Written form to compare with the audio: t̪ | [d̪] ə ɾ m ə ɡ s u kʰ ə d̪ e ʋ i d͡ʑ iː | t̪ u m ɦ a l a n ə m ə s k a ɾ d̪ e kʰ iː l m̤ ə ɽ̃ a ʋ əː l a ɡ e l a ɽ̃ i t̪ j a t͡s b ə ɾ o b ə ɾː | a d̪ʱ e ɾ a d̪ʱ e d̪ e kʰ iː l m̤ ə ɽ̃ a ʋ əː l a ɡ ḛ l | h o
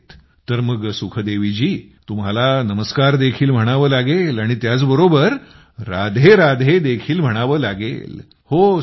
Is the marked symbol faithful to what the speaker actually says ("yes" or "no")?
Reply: no